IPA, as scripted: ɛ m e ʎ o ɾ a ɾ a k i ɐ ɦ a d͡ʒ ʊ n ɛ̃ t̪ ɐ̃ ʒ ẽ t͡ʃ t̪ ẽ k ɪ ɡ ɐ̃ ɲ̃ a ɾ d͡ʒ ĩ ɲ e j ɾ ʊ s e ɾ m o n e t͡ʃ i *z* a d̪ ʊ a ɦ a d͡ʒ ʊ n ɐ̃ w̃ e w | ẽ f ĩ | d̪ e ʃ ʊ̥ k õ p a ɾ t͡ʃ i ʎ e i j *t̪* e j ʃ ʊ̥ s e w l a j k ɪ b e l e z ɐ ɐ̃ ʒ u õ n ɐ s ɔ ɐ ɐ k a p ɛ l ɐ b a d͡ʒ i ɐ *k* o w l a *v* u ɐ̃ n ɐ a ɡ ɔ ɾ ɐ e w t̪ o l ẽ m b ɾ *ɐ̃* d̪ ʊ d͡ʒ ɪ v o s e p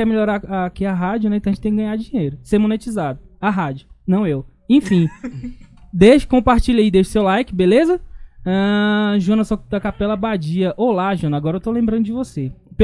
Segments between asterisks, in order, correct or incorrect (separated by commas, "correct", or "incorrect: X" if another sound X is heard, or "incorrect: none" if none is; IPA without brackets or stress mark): correct, incorrect: d̪, incorrect: ʔ, incorrect: ʒ, correct